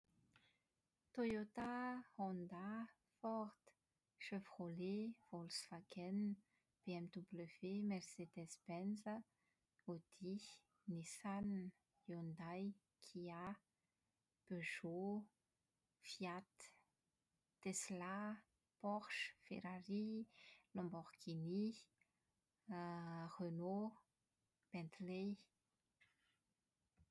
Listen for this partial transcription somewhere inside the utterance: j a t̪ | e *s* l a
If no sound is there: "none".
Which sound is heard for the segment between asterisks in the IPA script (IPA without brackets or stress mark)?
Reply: s